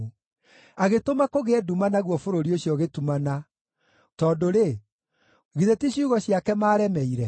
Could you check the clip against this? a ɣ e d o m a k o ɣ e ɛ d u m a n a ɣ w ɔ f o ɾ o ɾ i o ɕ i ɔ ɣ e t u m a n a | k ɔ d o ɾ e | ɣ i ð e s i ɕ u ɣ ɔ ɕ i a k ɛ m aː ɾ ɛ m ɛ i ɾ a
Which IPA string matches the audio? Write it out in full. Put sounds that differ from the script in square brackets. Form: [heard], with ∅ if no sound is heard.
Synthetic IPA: a ɣ e [t] o m a k o ɣ e ɛ d u m a n a ɣ w ɔ f o ɾ o ɾ i o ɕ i ɔ ɣ e t u m a n a | [t] ɔ d o ɾ e | ɣ i ð e [t] i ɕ u ɣ ɔ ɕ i a k ɛ m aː ɾ ɛ m ɛ i ɾ [ɛ]